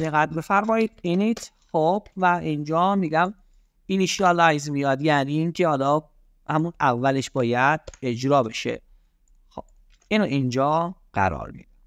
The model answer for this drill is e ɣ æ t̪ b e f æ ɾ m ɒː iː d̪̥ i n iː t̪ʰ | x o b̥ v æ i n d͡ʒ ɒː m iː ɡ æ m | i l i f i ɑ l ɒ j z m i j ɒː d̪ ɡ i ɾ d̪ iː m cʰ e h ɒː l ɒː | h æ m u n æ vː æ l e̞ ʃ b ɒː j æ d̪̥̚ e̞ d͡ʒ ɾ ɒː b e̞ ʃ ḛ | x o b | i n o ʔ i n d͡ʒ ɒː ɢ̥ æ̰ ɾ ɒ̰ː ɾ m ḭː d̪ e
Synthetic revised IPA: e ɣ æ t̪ b e f æ ɾ m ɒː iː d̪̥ i n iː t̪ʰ | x o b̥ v æ i n d͡ʒ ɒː m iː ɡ æ m | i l i ʃ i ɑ l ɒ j z m i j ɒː d̪ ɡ æ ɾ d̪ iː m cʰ e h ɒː l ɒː | h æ m u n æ vː æ l e̞ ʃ b ɒː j æ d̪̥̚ e̞ d͡ʒ ɾ ɒː b e̞ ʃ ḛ | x o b | i n o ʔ i n d͡ʒ ɒː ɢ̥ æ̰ ɾ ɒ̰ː ɾ m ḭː d̪ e